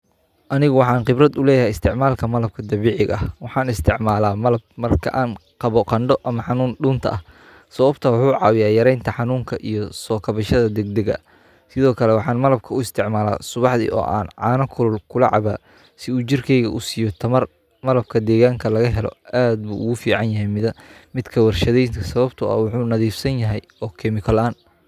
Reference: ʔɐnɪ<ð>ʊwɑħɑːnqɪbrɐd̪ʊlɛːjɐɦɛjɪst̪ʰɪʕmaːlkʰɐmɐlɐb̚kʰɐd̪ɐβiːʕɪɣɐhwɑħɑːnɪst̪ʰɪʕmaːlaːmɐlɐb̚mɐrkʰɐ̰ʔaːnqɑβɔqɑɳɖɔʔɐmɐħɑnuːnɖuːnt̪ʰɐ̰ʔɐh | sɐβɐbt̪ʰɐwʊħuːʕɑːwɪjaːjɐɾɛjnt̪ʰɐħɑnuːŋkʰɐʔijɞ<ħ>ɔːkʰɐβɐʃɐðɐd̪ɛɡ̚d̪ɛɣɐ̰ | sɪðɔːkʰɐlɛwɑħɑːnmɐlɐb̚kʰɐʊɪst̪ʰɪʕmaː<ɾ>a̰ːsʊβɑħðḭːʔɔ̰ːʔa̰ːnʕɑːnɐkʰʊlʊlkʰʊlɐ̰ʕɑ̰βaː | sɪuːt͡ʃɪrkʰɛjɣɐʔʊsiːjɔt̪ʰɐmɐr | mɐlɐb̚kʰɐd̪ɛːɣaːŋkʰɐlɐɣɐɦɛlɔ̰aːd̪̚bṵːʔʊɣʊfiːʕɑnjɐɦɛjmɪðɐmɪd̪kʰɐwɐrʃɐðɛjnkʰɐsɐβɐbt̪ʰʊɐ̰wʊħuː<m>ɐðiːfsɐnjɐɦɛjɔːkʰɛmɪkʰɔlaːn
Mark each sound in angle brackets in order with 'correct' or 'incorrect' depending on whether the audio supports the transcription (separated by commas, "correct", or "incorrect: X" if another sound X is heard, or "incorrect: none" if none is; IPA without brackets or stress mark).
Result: incorrect: ɣ, incorrect: s, incorrect: l, incorrect: n